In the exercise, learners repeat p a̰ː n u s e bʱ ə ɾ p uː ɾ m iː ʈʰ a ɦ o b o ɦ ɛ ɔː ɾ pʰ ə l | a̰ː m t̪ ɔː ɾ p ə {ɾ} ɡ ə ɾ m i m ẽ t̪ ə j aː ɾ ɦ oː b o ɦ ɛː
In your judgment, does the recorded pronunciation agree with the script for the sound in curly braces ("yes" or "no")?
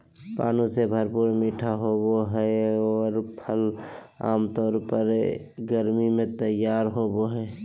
yes